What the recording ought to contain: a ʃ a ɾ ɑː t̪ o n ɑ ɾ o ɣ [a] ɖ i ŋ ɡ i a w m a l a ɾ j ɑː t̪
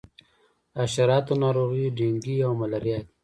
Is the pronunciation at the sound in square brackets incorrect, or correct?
incorrect